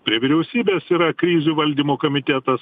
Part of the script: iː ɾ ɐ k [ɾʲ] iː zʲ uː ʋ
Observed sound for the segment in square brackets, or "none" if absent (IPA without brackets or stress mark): ɾʲ